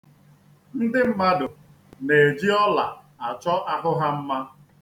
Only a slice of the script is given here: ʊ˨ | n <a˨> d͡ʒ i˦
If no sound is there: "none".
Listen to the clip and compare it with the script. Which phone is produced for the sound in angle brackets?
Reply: e˨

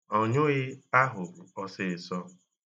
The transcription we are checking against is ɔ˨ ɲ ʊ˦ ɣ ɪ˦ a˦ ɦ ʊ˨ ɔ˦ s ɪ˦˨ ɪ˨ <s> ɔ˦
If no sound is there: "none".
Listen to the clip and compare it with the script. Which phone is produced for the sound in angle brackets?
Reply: s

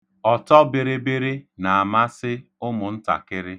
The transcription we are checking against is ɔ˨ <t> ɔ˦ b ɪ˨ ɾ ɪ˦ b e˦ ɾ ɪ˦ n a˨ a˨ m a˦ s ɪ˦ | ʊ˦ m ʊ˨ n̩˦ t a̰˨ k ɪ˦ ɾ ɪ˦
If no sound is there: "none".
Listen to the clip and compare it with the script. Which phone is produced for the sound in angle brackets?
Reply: t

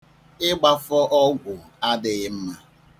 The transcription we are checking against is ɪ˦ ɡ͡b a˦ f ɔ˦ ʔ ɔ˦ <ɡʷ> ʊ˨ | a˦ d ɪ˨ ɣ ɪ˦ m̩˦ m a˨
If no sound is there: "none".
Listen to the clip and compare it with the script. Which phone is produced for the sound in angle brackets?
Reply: ɡʷ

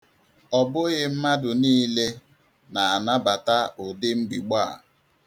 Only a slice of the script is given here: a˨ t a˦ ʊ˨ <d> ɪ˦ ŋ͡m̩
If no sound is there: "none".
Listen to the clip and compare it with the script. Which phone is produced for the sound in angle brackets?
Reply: d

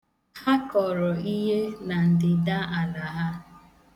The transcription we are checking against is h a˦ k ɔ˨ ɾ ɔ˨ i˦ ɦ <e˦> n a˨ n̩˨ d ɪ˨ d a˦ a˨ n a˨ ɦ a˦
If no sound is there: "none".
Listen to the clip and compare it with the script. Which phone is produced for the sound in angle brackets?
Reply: e˦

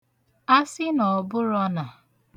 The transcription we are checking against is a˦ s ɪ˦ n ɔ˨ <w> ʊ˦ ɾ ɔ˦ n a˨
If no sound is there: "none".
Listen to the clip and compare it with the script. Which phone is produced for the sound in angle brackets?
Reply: b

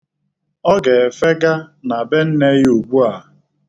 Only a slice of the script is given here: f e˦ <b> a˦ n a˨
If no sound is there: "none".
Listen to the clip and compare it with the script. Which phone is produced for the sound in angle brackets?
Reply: ɡ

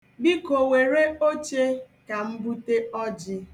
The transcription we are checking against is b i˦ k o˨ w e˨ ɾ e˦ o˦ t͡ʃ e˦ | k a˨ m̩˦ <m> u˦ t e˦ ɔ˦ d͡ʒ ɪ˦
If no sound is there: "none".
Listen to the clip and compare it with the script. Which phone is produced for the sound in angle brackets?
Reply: b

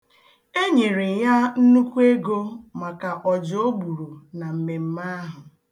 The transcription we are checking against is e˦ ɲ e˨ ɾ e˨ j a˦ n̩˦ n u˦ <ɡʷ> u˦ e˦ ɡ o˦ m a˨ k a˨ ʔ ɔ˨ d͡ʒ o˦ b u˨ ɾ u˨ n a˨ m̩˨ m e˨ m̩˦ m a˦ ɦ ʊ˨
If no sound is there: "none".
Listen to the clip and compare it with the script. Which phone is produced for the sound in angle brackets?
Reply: kʷ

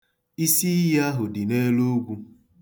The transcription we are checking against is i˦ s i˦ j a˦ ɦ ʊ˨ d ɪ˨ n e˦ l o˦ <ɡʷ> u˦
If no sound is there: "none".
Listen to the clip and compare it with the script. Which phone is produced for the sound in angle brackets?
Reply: ɡʷ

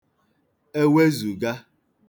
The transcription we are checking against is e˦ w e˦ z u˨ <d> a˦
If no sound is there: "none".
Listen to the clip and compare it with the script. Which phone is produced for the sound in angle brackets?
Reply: ɡ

